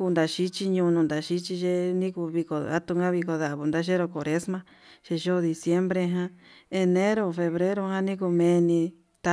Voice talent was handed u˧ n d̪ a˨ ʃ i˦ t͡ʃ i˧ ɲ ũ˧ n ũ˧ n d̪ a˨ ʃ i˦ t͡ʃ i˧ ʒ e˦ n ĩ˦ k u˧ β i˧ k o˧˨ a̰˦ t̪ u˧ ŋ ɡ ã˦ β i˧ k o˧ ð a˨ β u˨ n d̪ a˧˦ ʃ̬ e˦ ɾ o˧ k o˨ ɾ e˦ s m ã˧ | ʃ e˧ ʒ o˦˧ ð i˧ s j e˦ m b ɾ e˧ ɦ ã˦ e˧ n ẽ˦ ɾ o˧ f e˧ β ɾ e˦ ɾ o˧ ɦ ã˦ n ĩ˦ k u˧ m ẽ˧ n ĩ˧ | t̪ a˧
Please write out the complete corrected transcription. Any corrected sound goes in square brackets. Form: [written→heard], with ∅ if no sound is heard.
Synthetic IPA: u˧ n d̪ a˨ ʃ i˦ t͡ʃ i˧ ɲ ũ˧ n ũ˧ n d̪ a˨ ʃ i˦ t͡ʃ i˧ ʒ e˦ n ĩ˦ k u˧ β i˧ k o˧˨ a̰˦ t̪ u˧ ŋ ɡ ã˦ β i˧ k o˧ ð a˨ β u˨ n d̪ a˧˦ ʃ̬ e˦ ɾ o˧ k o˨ ɾ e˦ s m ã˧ | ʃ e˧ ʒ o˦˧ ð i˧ s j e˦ m b ɾ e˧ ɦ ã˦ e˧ n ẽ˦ ɾ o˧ f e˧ β ɾ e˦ ɾ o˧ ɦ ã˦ n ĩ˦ k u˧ m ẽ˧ n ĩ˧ | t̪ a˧